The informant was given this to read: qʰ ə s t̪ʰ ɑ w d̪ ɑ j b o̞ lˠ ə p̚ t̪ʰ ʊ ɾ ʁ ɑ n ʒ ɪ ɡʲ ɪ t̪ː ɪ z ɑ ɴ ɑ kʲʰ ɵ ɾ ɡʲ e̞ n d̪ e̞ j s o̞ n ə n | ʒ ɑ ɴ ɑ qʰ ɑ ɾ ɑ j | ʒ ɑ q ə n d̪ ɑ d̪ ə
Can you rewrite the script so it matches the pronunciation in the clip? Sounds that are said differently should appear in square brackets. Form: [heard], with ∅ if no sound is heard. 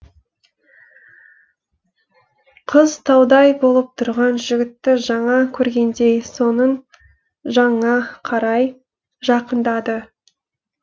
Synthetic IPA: qʰ ə [z] t̪ʰ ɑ w d̪ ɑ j b o̞ lˠ ə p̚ t̪ʰ ʊ ɾ ʁ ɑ n ʒ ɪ ɡʲ ɪ t̪ː ɪ [ʒ] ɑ ɴ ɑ kʲʰ ɵ ɾ ɡʲ e̞ n d̪ e̞ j s o̞ n ə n | ʒ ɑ ɴ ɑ qʰ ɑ ɾ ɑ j | ʒ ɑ q ə n d̪ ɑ d̪ ə

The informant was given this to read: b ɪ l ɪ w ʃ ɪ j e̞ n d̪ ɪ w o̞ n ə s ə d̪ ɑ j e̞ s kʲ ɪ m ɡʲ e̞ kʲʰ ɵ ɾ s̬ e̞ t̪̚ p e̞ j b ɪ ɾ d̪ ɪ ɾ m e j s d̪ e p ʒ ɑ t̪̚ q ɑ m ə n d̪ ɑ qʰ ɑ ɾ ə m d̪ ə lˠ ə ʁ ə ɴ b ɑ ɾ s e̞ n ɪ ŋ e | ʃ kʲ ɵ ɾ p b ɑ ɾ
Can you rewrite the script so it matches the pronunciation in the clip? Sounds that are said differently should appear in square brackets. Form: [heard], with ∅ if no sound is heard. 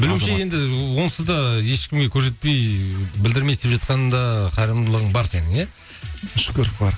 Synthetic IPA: b ɪ l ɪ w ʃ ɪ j e̞ n d̪ ɪ w o̞ n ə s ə d̪ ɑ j e̞ [ʃ] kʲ ɪ m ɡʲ e̞ kʲʰ ɵ ɾ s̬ e̞ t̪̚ p e̞ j b ɪ [l] d̪ ɪ ɾ m e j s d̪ e p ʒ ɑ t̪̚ q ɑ [n] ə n d̪ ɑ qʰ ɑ ɾ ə m d̪ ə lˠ ə ʁ ə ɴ b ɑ ɾ s e̞ n ɪ ŋ e | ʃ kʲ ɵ ɾ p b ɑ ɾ

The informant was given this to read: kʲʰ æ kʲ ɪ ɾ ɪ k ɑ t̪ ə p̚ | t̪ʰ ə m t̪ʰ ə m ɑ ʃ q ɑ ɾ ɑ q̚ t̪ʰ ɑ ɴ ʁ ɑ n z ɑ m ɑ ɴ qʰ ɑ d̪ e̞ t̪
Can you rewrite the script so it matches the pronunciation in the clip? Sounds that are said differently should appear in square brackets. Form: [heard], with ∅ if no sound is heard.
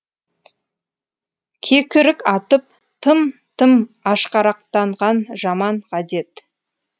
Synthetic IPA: kʲʰ [e] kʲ ɪ ɾ ɪ k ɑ t̪ ə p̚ | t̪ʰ ə m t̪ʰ ə m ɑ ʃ q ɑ ɾ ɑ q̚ [t̪] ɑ ɴ ʁ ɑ n [ʒ] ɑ m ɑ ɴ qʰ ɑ d̪ e̞ t̪

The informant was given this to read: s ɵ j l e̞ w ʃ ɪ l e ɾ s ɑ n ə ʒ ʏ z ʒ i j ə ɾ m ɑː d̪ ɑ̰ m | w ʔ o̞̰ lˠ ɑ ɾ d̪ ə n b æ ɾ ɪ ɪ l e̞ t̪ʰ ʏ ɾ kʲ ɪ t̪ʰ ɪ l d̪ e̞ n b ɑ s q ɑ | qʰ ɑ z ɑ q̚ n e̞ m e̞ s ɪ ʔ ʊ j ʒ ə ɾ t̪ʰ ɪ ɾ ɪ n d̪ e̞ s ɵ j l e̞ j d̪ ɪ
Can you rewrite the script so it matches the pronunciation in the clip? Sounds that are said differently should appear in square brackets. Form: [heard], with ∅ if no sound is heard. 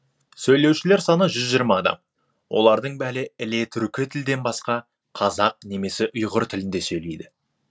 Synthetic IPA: s ɵ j l e̞ w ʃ ɪ l e ɾ s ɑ n ə ʒ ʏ z ʒ i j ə ɾ m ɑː d̪ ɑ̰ m | w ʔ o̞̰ lˠ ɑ ɾ d̪ ə [ɴ] b æ ɾ ɪ ɪ l e̞ t̪ʰ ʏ ɾ kʲ ɪ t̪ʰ ɪ l d̪ e̞ n b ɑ s q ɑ | qʰ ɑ z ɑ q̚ n e̞ m e̞ s ɪ ʔ ʊ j [ʁ] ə ɾ t̪ʰ ɪ [l] ɪ n d̪ e̞ s ɵ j l e̞ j d̪ ɪ

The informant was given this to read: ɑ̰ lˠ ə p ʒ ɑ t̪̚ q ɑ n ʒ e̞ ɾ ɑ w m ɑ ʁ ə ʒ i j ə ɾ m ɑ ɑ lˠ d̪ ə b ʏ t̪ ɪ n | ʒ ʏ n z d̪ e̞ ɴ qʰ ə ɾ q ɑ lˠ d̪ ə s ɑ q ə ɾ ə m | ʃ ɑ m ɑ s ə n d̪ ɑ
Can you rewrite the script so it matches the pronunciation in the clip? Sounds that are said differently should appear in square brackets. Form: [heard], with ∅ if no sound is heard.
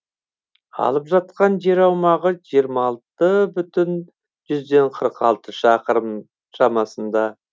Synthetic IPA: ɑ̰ lˠ ə p ʒ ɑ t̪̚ q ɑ n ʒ e̞ ɾ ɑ w m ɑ ʁ ə ʒ i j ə ɾ m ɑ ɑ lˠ [t̪] ə b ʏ t̪ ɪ n | ʒ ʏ [∅] z d̪ e̞ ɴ qʰ ə ɾ q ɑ lˠ [t̪] ə [ʃ] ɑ q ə ɾ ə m | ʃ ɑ m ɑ s ə n d̪ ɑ

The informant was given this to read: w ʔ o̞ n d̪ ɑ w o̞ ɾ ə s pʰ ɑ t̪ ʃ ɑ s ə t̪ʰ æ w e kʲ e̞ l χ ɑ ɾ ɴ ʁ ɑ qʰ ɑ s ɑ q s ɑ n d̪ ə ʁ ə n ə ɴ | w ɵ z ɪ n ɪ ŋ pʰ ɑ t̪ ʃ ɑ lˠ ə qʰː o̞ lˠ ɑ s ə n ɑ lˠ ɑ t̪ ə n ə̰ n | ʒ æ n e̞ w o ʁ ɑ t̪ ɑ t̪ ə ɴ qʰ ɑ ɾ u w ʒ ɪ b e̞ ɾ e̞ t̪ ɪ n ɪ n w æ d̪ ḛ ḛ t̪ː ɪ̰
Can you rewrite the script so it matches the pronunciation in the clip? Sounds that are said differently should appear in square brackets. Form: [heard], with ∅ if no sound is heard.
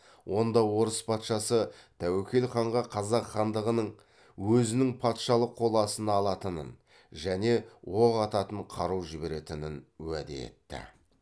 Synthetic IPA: w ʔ o̞ n d̪ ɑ w o̞ ɾ ə s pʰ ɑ t̪ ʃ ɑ s ə t̪ʰ æ w e kʲ e̞ l χ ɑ [∅] ɴ ʁ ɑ qʰ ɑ [z] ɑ q [χ] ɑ n d̪ ə ʁ ə n ə ɴ | w ɵ z ɪ n ɪ ŋ pʰ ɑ t̪ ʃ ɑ lˠ ə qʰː o̞ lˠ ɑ s ə n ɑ lˠ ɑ t̪ ə n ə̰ n | ʒ æ n e̞ w o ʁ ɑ t̪ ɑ t̪ ə ɴ qʰ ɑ ɾ u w ʒ ɪ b e̞ ɾ e̞ t̪ ɪ n ɪ n w æ d̪ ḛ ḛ t̪ː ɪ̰

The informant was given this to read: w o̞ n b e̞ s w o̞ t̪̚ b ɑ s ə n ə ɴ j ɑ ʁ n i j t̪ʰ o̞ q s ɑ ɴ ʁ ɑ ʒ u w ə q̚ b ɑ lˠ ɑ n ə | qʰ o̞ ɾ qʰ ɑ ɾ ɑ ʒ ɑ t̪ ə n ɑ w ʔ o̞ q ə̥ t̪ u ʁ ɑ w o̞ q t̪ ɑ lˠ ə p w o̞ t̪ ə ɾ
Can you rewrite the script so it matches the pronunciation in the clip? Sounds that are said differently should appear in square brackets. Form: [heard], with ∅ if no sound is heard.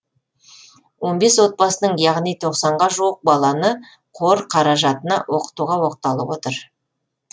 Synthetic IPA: w o̞ n b e̞ s w o̞ t̪̚ b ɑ s ə n ə ɴ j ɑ ʁ n i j t̪ʰ o̞ q s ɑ ɴ ʁ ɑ ʒ u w ə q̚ b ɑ lˠ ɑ n ə | qʰ o̞ ɾ qʰ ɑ ɾ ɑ ʒ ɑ t̪ ə n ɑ w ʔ o̞ q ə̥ t̪ u ʁ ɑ w o̞ q t̪ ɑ lˠ ə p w o̞ t̪ ə ɾ

